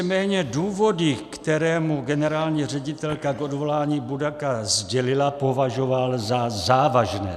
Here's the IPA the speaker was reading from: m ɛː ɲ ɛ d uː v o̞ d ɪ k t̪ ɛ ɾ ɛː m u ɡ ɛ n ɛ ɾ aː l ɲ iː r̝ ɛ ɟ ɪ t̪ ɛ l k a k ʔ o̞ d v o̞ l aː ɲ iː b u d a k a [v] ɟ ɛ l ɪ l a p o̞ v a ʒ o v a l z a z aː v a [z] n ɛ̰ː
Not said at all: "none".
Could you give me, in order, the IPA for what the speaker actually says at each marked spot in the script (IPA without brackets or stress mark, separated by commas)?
z, ʒ